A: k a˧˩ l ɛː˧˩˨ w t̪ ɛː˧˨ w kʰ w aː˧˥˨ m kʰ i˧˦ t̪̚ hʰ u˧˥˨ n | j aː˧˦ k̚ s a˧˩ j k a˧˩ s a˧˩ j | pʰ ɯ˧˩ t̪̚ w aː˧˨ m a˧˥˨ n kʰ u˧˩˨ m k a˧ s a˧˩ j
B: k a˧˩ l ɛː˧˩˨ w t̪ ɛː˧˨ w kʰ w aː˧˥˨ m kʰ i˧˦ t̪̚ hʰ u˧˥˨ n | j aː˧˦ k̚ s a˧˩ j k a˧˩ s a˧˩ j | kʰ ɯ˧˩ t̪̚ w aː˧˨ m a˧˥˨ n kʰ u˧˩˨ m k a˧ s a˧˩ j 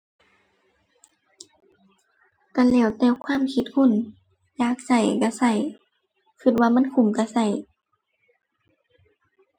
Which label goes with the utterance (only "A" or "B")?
B